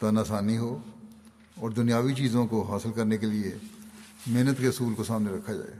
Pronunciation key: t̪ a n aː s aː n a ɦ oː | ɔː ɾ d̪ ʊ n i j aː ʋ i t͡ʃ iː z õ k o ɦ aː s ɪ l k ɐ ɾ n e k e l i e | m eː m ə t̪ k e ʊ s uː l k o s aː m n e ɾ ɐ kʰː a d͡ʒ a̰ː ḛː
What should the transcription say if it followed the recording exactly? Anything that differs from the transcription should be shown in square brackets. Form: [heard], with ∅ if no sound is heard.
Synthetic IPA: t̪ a n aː s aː n [i] ɦ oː | ɔː ɾ d̪ ʊ n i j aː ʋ i t͡ʃ iː z õ k o ɦ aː s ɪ l k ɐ ɾ n e k e l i e | m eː [n] ə t̪ k e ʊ s uː l k o s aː m n e ɾ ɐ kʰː a d͡ʒ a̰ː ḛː